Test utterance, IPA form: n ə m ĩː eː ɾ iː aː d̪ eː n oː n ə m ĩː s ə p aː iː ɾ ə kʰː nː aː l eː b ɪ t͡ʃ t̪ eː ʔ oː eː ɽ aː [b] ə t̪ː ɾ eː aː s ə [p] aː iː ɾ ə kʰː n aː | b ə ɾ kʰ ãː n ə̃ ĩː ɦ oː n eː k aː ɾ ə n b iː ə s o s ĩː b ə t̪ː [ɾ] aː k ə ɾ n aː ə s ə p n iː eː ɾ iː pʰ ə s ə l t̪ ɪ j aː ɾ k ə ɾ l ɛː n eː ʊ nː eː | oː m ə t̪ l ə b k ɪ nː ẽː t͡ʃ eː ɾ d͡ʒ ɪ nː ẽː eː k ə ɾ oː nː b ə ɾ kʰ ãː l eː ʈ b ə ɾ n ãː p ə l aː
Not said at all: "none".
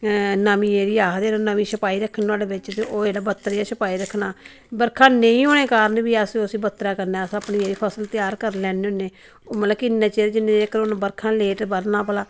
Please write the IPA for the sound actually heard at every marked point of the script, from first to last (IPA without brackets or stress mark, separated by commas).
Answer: b, p, ɾ